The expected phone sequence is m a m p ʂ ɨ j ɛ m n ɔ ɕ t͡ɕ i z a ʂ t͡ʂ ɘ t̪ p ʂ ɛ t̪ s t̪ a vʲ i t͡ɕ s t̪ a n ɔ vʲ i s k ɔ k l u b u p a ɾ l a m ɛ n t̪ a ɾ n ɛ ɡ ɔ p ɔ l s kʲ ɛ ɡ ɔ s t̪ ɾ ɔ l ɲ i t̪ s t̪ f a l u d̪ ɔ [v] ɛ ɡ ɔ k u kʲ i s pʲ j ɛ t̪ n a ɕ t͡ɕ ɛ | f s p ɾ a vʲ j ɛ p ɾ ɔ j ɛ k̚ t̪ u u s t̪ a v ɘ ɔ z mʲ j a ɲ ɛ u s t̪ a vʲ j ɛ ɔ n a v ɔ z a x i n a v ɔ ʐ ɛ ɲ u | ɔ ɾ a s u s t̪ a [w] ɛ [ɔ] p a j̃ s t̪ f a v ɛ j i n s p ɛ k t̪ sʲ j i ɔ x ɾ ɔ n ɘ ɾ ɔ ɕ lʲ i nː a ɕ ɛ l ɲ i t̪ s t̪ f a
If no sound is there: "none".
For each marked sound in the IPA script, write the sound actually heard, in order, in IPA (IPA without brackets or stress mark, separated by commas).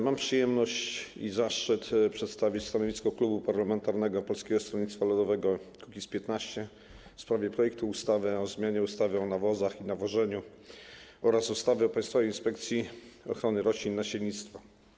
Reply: v, v, ɔ